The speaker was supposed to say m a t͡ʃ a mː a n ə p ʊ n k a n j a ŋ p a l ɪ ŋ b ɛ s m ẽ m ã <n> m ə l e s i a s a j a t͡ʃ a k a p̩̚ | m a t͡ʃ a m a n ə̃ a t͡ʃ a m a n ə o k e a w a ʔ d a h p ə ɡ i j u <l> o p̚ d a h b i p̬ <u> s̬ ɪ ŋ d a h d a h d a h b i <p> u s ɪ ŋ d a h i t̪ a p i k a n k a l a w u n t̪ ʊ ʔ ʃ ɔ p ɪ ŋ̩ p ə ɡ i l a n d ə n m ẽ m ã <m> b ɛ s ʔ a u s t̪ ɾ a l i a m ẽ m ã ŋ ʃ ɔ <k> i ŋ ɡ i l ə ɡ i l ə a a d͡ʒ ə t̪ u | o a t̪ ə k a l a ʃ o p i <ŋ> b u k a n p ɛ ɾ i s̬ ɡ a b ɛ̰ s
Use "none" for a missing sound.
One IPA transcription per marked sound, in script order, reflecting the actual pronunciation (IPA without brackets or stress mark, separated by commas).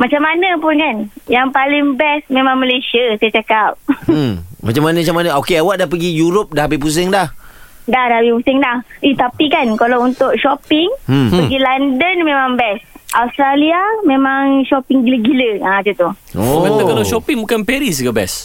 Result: ŋ, ɾ, u, p, ŋ, p, ŋ